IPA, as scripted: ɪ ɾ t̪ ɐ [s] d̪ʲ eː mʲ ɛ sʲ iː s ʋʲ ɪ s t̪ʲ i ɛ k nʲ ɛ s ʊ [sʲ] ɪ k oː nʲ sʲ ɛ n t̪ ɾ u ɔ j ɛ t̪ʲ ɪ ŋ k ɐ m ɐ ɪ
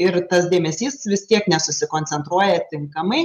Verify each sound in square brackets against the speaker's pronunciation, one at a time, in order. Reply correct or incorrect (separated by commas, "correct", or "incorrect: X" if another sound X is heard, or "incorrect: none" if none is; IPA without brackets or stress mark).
correct, correct